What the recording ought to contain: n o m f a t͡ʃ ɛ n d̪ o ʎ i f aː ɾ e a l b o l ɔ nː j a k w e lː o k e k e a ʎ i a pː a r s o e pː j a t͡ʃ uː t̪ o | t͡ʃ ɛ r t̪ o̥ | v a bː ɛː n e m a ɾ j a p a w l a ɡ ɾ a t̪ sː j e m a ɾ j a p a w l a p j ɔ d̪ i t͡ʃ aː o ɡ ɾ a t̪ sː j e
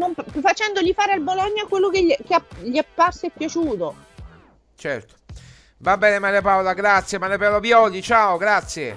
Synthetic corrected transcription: n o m f a t͡ʃ ɛ n d̪ o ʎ i f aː ɾ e a l b o l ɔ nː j a k w e lː o k e k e a ʎ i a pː a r s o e pː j a t͡ʃ uː t̪ o | t͡ʃ ɛ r t̪ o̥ | v a bː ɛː n e m a ɾ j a p a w l a ɡ ɾ a t̪ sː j e m a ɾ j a p a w l a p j ɔ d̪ i t͡ʃ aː o ɡ ɾ a t̪ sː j e